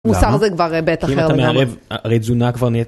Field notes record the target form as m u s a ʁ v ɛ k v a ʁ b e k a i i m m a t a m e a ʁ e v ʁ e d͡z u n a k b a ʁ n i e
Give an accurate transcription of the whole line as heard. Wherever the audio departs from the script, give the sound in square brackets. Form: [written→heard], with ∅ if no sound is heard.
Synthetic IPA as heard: m u s a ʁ [v→z] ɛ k v a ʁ b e [k→t] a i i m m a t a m e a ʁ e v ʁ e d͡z u n a k [b→v] a ʁ n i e